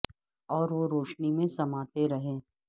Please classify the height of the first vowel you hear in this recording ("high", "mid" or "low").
mid